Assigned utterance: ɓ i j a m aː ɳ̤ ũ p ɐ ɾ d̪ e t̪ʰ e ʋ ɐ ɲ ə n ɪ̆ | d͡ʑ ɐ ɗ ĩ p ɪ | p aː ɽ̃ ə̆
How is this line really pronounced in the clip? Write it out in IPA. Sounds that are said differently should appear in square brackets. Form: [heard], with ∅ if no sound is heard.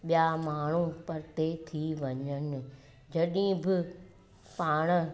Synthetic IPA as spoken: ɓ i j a m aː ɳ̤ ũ p ɐ ɾ [t̪] e t̪ʰ [i] ʋ ɐ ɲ ə n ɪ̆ | d͡ʑ ɐ ɗ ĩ [b] ɪ | p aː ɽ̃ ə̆